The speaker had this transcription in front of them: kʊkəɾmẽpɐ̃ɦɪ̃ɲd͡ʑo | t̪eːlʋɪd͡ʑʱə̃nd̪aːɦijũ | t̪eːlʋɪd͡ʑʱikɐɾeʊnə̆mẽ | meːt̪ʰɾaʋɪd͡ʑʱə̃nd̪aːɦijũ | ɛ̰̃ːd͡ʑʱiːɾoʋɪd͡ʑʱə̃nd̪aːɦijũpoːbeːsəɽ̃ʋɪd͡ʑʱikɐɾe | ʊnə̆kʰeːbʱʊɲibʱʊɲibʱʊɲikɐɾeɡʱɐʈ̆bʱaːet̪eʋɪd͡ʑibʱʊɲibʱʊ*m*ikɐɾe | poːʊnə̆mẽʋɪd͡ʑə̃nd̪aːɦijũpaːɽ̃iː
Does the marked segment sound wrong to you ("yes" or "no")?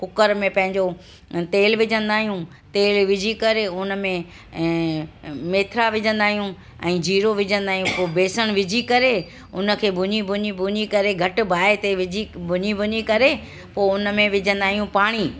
yes